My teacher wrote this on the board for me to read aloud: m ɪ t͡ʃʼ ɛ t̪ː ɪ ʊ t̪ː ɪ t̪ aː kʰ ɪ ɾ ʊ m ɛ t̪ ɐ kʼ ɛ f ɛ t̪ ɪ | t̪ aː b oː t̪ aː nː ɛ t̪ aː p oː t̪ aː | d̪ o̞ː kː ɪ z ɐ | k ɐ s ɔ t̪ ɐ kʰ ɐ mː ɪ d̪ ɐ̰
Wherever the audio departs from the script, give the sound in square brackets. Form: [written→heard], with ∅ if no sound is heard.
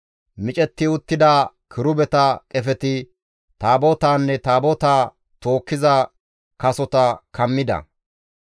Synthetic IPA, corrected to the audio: m ɪ t͡ʃʼ ɛ t̪ː ɪ ʊ t̪ː ɪ [t̪→d̪] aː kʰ ɪ ɾ ʊ [m→b] ɛ t̪ ɐ kʼ ɛ f ɛ t̪ ɪ | t̪ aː b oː t̪ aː nː ɛ t̪ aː [p→b] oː t̪ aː | [d̪→t̪] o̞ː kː ɪ z ɐ | k ɐ s ɔ t̪ ɐ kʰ ɐ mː ɪ d̪ ɐ̰